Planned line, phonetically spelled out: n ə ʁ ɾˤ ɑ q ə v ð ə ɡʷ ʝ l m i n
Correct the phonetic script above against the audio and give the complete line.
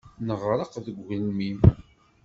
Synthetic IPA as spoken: n ə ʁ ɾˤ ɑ q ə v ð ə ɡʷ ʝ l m i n